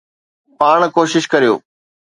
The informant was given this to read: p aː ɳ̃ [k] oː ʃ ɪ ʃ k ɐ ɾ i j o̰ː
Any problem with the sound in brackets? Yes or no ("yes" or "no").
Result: no